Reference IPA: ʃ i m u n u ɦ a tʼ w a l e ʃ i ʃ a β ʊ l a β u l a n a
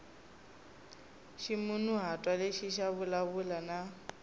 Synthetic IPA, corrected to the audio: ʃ i m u n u ɦ a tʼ w a l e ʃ i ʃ a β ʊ l a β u l a n a